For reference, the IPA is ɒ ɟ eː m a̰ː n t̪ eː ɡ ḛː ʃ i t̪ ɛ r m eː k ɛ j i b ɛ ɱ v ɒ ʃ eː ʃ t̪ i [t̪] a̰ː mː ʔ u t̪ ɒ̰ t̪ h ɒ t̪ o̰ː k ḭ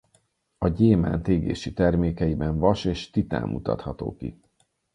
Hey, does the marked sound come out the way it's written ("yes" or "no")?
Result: yes